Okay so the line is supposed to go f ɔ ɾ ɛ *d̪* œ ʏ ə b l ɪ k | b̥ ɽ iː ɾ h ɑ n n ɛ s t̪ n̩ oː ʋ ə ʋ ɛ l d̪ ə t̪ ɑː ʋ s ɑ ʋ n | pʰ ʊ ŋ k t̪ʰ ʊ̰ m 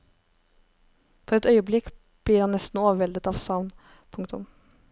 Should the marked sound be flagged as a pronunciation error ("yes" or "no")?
yes